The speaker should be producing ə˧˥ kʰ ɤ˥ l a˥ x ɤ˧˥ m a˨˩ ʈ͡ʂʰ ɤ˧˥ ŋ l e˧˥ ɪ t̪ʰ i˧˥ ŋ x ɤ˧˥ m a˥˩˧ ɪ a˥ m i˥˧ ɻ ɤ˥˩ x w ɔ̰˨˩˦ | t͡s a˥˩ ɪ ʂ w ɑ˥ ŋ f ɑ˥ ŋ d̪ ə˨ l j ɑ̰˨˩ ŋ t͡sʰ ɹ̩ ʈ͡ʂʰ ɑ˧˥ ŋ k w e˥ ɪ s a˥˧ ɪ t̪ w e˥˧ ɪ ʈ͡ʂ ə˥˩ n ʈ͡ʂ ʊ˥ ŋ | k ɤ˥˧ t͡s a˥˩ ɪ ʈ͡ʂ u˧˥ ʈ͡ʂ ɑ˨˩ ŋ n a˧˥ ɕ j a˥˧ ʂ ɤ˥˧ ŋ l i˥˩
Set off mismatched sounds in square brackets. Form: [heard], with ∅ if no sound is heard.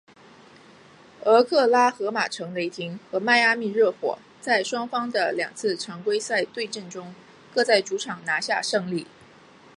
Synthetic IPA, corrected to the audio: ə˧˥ kʰ [ɤ˥˩] l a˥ x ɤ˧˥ m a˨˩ ʈ͡ʂʰ ɤ˧˥ ŋ l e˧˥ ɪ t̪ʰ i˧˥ ŋ x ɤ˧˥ m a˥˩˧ ɪ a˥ m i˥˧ ɻ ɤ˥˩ x w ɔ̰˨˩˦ | t͡s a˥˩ ɪ ʂ w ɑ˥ ŋ f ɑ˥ ŋ d̪ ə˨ l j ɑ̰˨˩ ŋ t͡sʰ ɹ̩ ʈ͡ʂʰ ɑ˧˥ ŋ k w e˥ ɪ s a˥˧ ɪ t̪ w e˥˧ ɪ ʈ͡ʂ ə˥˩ n ʈ͡ʂ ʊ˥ ŋ | k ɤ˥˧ t͡s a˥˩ ɪ ʈ͡ʂ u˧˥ [ʈ͡ʂʰ] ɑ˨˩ ŋ n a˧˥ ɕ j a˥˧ ʂ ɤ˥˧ ŋ l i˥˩